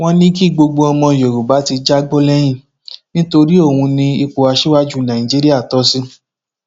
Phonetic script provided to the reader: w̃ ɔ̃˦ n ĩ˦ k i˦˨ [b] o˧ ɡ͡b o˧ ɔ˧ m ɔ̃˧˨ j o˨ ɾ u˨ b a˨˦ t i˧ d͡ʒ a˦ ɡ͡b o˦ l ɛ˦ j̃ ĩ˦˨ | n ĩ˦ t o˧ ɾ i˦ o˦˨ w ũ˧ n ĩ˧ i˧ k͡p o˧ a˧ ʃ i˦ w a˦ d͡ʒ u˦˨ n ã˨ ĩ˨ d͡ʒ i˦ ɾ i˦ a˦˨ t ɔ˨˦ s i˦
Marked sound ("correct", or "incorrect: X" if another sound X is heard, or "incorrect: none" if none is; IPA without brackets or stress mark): incorrect: ɡ͡b